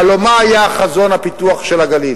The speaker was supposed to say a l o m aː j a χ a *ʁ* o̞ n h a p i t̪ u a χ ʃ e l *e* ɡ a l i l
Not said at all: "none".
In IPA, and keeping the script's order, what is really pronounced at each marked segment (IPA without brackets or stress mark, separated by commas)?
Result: z, a